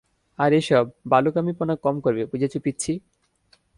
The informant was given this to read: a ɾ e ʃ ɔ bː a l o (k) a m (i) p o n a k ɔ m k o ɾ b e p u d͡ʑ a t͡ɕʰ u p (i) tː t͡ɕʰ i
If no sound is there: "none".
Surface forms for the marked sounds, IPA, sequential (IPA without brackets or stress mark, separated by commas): k, i, i